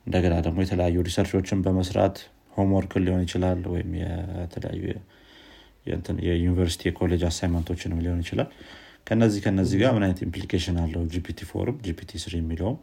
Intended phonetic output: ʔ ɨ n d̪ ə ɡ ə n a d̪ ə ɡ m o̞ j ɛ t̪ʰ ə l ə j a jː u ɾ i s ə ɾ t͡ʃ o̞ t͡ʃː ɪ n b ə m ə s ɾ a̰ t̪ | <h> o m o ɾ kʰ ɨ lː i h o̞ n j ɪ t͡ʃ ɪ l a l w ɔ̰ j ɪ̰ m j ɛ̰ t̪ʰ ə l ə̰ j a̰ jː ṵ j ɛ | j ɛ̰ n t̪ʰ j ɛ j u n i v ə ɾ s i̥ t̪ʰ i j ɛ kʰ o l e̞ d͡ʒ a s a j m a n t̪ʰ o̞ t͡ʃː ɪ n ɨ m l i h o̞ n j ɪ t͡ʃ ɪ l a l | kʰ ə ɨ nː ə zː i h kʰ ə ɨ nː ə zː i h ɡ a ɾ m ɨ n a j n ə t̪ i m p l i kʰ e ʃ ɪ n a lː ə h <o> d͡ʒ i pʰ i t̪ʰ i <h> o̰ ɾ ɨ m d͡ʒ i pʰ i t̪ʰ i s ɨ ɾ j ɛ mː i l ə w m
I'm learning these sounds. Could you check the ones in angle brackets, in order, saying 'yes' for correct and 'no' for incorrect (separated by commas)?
yes, no, no